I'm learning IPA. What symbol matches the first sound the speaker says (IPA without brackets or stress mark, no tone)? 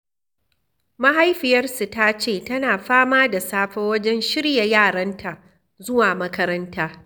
m